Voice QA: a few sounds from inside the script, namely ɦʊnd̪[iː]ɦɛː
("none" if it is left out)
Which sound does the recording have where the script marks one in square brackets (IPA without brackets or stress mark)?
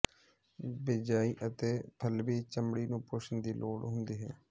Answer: iː